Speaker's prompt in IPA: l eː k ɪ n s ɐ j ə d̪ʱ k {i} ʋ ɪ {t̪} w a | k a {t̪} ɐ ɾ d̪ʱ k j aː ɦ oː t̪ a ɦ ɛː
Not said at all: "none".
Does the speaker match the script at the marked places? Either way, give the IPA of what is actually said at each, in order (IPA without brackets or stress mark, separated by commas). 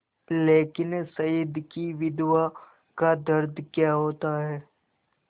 i, d̪, d̪